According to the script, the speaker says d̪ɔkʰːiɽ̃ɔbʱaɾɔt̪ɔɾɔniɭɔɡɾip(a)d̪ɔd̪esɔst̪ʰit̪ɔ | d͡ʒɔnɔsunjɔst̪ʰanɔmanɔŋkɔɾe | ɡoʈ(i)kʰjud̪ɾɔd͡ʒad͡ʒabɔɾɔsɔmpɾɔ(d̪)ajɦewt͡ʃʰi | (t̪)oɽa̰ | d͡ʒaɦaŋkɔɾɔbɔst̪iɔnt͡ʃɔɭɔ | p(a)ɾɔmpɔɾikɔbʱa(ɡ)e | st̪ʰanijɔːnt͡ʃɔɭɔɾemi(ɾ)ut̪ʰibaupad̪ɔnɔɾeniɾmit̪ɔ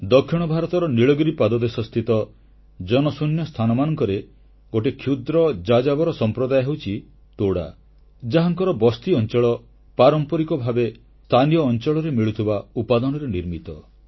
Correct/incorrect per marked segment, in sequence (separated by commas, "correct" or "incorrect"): correct, incorrect, correct, correct, correct, incorrect, incorrect